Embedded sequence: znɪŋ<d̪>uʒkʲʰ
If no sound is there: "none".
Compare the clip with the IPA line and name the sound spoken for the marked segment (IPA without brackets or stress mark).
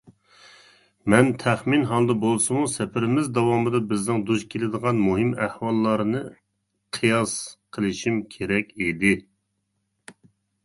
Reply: d̪